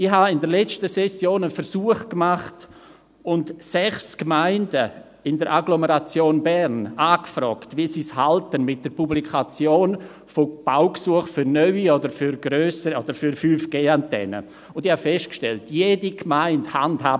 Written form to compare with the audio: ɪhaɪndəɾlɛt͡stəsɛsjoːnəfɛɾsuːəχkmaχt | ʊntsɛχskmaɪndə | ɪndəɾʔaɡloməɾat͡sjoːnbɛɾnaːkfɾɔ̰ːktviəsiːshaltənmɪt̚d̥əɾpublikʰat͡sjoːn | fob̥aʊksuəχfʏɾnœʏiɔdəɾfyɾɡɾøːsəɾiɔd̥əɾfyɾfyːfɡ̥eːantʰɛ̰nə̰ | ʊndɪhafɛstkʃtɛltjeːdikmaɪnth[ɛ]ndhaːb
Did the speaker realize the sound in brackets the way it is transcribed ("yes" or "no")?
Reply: no